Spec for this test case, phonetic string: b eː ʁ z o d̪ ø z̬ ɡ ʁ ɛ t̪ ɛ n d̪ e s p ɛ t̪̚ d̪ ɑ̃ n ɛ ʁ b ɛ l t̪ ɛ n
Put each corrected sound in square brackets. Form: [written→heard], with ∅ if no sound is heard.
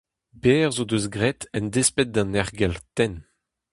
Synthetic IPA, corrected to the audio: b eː ʁ z o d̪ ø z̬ ɡ ʁ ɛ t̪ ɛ n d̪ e s p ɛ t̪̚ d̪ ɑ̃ n ɛ ʁ [b→ɡ] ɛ l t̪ ɛ n